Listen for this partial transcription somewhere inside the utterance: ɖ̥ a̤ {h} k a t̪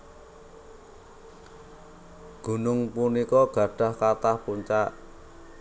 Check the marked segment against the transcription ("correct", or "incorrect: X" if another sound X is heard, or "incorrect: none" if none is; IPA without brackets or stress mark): correct